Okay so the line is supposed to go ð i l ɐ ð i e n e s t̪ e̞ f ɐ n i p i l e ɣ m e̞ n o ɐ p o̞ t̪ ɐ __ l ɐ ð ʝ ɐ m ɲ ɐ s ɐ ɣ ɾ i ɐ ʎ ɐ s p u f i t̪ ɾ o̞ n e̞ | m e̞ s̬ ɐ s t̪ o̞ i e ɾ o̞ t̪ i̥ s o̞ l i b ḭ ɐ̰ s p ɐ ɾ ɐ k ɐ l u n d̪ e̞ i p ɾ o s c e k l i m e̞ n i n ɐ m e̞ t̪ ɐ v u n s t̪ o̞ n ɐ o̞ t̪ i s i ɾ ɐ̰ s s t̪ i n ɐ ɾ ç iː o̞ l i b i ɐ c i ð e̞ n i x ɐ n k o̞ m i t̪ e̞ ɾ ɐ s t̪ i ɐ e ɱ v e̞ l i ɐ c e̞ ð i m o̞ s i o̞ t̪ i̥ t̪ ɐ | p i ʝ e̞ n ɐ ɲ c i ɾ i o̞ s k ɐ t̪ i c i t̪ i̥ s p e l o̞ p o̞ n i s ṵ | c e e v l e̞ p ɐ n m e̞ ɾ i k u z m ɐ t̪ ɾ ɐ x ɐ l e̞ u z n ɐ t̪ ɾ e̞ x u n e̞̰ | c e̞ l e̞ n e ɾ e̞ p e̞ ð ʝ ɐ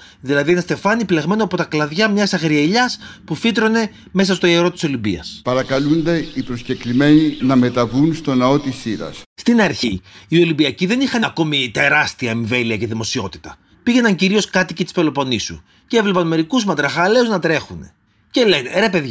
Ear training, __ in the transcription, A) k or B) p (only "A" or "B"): A